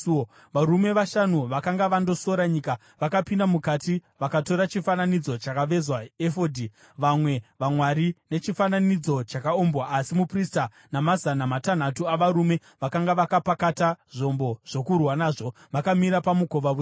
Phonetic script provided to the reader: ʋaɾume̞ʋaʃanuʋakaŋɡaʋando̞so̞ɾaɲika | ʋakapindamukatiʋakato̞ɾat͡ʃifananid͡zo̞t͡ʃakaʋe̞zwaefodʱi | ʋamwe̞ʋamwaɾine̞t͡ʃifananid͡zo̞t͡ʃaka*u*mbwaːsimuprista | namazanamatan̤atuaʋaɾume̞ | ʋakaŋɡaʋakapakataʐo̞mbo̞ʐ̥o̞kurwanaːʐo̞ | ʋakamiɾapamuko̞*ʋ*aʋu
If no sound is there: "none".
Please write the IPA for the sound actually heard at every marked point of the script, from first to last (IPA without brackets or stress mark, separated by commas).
o, ʋ